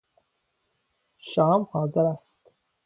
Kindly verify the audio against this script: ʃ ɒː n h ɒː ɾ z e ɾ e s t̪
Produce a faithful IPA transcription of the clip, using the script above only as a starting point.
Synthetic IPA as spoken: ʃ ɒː m h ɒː z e ɾ æ s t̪

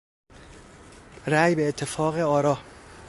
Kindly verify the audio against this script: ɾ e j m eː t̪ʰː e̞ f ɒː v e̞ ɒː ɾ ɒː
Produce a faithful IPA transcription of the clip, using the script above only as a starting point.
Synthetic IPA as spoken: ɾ æ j b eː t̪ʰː e̞ f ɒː ɣ e̞ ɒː ɾ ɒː

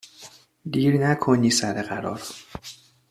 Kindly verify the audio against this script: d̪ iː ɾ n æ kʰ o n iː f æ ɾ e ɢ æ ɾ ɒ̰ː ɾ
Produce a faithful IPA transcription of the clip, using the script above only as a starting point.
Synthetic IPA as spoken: d̪ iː ɾ n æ kʰ o n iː s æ ɾ e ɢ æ ɾ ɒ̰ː ɾ

